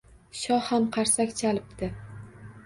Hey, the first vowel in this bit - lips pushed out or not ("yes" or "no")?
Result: yes